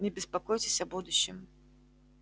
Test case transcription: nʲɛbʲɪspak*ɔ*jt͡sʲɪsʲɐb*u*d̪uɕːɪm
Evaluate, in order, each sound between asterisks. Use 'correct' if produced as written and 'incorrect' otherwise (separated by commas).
correct, correct